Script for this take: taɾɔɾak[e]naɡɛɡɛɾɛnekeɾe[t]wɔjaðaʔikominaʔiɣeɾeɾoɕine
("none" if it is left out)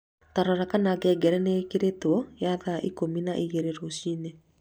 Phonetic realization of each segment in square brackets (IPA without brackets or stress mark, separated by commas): a, t